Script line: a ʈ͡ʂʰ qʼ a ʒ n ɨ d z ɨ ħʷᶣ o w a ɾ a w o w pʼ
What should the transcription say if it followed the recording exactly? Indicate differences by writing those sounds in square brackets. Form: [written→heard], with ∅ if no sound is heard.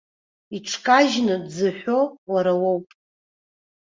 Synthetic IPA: [a→i] ʈ͡ʂʰ [qʼ→kʼ] a ʒ n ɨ d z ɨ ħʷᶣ o w a ɾ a w o w pʼ